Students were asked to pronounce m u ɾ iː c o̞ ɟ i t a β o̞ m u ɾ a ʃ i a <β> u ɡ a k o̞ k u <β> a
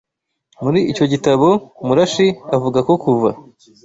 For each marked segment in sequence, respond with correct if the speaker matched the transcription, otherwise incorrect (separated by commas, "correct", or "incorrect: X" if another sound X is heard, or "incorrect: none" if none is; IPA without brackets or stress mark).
incorrect: v, incorrect: v